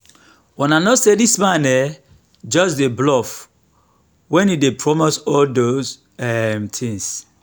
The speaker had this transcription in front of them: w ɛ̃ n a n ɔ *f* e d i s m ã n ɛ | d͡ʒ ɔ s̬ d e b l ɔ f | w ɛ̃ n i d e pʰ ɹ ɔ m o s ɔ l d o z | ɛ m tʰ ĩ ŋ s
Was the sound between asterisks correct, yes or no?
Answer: no